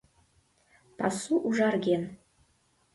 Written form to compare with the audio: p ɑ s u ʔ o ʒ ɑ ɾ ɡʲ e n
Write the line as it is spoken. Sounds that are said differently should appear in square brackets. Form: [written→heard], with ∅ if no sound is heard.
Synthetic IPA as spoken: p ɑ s u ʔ [o→u] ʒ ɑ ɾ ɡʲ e n

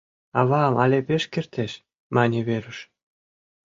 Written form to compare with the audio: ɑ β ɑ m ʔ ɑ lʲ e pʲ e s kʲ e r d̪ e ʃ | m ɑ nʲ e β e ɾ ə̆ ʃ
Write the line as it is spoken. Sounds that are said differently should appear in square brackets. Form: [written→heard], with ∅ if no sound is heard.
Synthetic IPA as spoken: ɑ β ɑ m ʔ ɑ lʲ e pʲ e [s→ʃ] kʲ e r [d̪→t̪] e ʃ | m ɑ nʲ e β e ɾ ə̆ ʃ

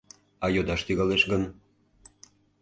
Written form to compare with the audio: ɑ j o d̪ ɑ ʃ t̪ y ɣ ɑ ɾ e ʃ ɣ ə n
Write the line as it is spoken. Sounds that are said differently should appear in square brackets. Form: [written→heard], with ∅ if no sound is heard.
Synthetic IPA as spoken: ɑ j o d̪ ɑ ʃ t̪ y ɣ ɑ [ɾ→l] e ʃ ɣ ə n

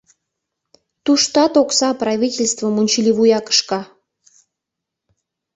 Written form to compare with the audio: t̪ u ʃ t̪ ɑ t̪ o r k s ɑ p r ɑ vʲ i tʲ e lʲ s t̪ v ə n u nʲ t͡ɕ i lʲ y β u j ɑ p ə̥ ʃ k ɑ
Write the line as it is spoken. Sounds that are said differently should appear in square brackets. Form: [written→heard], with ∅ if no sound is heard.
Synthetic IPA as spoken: t̪ u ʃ t̪ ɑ t̪ o [r→∅] k s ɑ p r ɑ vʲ i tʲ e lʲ s t̪ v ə [n→m] u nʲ t͡ɕ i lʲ [y→i] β u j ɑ [p→k] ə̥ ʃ k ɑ

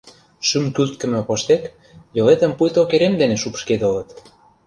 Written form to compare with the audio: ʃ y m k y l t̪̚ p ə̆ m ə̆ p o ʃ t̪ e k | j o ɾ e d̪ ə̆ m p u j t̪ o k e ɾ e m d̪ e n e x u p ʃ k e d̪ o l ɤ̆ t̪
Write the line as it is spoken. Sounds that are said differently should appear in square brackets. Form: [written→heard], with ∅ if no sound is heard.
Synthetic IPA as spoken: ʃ y m k y l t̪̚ [p→k] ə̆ m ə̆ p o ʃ t̪ e k | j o [ɾ→l] e [d̪→t̪] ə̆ m p u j t̪ o k e ɾ e m d̪ e n e [x→ʃ] u p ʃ k e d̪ o l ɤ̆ t̪

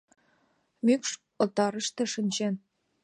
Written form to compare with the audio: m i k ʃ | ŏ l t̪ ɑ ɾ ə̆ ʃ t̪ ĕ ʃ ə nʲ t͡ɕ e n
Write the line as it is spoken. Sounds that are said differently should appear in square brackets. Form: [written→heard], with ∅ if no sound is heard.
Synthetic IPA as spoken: m [i→y] k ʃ | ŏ l t̪ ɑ ɾ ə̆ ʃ t̪ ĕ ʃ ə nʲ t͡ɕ e n

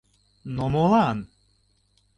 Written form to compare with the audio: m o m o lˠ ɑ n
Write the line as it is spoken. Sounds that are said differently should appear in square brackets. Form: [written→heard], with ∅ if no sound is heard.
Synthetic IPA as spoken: [m→n] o m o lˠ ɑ n

